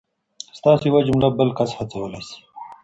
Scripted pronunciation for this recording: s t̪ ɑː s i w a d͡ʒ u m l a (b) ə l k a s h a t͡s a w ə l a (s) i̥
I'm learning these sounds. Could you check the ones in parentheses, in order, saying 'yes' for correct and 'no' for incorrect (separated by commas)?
yes, yes